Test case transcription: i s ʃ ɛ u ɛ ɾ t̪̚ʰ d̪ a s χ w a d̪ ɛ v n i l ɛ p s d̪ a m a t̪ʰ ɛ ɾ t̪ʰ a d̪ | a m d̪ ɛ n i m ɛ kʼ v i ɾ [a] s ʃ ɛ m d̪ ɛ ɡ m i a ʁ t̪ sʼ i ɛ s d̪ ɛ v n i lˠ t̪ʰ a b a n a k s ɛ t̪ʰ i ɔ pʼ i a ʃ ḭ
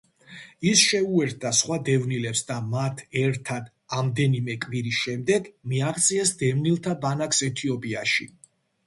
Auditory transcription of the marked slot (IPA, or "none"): i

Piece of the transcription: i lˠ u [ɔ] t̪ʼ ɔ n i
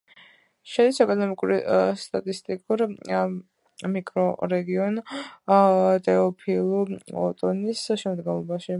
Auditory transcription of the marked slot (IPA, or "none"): ɔ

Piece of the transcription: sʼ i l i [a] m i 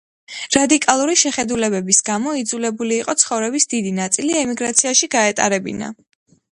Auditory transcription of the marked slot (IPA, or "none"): ɛ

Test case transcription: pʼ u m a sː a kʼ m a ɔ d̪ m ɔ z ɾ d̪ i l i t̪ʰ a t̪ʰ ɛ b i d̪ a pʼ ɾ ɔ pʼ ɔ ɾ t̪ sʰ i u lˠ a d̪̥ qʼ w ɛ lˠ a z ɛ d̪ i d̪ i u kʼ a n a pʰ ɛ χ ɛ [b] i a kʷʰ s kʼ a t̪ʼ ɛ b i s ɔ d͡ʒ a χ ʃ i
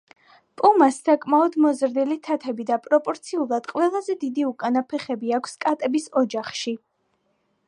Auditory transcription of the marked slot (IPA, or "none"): b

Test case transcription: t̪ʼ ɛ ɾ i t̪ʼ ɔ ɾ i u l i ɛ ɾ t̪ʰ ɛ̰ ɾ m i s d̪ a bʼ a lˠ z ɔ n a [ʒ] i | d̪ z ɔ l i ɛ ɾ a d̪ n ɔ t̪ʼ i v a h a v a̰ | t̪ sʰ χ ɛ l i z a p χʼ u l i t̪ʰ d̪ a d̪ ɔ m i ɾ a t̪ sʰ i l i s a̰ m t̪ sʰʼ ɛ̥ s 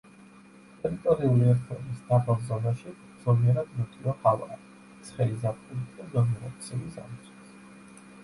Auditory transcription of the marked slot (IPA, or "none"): ʃ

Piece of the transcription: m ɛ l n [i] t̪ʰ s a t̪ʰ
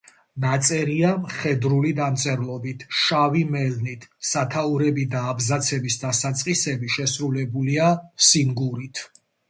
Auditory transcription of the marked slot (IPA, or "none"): i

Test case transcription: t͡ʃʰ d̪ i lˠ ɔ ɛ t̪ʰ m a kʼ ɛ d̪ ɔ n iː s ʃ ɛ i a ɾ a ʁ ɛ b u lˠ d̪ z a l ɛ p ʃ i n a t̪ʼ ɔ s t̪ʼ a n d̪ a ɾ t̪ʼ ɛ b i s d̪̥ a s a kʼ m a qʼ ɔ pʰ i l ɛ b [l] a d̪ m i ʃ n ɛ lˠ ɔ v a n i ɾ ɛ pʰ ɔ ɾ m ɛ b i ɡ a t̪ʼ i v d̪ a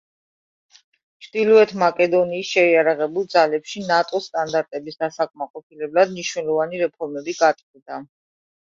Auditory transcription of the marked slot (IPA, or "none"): l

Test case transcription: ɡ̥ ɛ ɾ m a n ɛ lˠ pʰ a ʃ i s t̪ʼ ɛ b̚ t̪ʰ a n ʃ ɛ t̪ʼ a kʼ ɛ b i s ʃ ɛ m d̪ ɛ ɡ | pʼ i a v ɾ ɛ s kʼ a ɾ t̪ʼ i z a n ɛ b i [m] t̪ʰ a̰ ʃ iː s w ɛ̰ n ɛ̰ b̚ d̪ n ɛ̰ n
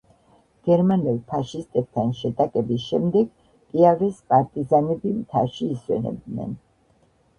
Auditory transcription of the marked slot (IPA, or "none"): m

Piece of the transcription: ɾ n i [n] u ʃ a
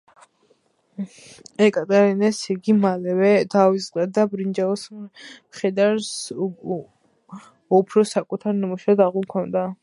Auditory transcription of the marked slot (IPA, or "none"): m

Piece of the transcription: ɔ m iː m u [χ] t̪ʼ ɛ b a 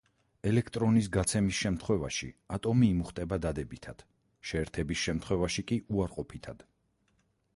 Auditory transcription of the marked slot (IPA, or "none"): χ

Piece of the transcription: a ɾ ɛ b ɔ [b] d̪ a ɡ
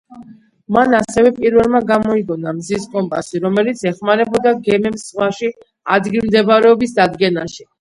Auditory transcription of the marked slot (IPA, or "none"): none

